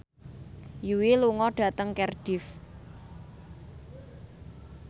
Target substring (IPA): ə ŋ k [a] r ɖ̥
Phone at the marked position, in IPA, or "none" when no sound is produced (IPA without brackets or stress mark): ɛ